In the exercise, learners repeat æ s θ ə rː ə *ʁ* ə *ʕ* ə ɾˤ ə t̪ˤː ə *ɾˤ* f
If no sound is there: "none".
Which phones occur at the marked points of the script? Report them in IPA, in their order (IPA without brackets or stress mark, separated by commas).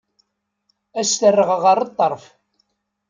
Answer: ʁ, ʁ, ɾˤ